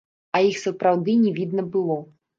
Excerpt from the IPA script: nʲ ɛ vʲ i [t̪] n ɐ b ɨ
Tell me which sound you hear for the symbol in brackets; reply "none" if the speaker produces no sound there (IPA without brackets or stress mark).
d̪